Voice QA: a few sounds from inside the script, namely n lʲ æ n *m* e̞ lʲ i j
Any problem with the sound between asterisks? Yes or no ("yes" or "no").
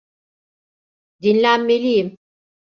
no